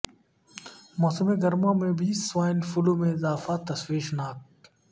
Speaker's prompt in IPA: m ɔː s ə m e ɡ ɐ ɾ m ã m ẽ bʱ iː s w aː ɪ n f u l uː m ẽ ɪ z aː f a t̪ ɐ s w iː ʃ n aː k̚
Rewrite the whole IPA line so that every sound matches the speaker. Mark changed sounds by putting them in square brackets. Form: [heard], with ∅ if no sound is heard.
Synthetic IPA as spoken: m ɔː s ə m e ɡ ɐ ɾ m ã m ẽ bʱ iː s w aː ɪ n f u l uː m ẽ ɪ z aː f a t̪ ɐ s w iː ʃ n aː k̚